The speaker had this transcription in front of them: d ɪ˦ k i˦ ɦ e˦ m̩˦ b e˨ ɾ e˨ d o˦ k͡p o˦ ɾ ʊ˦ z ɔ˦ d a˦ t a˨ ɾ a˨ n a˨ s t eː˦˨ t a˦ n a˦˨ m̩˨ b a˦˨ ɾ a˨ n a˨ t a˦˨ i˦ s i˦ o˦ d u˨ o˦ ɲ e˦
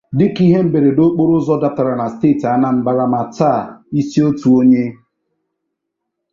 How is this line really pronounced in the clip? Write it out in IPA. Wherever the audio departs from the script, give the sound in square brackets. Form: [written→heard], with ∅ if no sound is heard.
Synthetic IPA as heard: d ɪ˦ k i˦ ɦ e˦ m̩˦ b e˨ ɾ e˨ d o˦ k͡p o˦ ɾ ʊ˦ z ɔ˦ d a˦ t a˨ ɾ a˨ n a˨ s t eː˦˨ t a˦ n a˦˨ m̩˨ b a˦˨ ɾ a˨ [n→m] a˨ t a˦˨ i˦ s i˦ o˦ [d→t] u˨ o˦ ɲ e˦